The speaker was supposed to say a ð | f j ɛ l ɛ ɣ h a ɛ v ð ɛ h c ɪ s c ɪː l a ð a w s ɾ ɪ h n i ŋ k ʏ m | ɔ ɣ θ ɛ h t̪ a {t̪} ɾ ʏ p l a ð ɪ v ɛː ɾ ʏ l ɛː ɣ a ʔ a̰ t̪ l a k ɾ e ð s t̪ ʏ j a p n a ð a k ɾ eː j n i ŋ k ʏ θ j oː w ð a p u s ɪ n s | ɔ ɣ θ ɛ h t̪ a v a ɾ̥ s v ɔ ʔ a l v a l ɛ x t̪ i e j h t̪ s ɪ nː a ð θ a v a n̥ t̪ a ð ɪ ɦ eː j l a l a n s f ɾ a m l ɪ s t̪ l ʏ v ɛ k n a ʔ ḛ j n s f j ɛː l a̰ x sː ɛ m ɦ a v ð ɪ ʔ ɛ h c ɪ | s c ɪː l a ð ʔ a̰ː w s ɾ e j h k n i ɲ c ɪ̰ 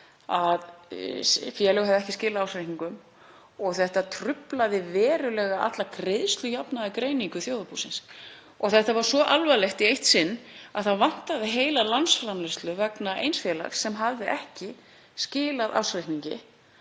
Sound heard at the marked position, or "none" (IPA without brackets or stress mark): t̪ʰ